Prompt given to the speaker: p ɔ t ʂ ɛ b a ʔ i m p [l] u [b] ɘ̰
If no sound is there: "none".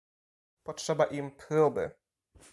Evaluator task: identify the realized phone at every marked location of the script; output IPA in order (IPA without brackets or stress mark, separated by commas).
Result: ɾ, b